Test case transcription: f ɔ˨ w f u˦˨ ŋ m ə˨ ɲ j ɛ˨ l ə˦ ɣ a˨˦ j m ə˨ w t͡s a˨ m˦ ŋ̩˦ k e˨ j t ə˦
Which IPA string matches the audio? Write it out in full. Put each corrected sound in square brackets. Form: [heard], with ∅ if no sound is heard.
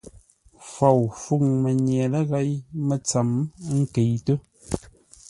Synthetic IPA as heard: f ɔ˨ w f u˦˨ ŋ m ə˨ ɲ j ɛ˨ l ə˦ ɣ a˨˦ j m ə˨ [∅] t͡s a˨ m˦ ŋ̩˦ k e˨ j t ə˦